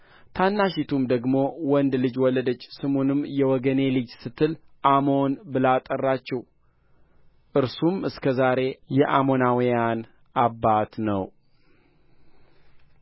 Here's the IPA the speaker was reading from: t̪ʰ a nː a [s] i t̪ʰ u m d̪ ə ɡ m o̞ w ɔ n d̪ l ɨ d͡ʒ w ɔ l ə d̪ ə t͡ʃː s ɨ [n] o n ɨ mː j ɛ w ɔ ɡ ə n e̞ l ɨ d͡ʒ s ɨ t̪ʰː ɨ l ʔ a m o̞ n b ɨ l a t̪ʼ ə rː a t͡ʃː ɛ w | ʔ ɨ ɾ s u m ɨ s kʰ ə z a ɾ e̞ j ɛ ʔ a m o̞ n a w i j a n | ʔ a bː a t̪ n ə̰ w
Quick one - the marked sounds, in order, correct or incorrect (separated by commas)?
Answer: incorrect, incorrect